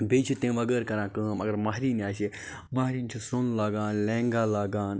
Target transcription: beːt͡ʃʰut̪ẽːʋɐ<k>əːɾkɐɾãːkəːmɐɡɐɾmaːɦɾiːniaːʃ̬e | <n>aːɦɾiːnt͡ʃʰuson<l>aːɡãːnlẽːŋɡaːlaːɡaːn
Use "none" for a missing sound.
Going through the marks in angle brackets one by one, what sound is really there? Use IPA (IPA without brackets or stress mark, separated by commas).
ɡ, m, l